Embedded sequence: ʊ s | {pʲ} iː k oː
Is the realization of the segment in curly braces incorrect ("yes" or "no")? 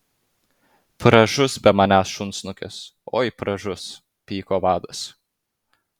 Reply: no